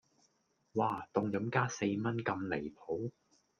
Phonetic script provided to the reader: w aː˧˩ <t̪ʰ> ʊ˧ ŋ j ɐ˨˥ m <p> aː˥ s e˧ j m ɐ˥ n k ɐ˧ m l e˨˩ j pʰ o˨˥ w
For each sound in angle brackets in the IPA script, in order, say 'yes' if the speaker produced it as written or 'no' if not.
no, no

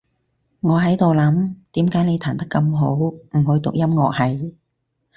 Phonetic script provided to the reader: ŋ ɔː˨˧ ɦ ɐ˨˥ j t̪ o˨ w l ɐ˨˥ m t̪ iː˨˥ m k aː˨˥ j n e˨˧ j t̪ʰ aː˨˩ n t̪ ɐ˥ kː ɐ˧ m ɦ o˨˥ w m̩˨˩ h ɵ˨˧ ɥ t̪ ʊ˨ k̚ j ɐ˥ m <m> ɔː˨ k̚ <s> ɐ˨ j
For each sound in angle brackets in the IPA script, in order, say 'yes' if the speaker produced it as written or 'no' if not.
no, no

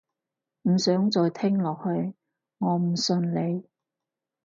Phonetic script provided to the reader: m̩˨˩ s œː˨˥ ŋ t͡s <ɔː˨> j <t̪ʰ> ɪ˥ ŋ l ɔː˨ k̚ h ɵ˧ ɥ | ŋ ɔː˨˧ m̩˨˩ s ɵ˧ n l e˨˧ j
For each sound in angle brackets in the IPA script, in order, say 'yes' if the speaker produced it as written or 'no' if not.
yes, yes

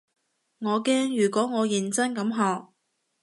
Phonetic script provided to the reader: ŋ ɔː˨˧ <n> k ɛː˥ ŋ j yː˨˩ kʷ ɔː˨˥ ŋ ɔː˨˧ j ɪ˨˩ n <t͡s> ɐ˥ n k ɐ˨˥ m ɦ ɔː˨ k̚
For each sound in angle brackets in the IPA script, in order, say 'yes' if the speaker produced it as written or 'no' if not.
no, yes

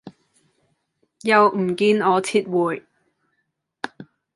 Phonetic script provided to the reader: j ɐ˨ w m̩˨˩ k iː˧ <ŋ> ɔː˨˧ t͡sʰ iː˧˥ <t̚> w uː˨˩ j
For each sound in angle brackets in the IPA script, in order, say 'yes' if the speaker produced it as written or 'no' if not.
no, yes

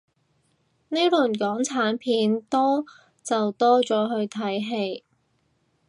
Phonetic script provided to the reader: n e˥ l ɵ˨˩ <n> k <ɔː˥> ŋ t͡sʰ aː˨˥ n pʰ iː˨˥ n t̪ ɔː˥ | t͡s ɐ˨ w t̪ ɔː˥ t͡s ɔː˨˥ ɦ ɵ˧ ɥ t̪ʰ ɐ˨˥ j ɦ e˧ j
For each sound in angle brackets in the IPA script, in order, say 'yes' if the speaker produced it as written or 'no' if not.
yes, no

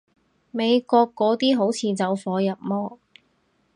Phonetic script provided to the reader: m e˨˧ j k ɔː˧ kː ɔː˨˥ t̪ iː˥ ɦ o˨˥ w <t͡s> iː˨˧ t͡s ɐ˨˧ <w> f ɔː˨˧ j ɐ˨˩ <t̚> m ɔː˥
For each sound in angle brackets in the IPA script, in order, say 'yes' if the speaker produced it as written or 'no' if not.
no, yes, no

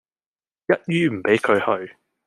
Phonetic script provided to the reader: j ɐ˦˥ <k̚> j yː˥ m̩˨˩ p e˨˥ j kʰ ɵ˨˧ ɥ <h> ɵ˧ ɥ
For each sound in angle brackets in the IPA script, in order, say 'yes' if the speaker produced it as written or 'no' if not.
no, yes

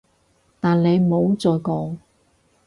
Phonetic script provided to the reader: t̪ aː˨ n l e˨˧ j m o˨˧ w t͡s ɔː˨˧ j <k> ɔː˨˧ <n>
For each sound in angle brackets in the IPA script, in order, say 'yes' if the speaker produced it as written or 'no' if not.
yes, no

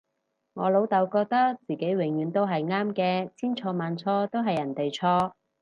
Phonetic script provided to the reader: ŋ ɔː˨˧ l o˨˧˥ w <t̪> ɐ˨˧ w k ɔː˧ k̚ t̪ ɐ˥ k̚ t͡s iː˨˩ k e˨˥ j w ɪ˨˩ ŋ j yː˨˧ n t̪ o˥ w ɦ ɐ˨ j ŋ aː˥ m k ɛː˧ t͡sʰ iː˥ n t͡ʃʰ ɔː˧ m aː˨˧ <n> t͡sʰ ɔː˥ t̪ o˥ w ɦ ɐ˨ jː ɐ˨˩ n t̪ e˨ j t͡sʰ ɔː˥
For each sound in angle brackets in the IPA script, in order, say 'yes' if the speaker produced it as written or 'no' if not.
yes, yes

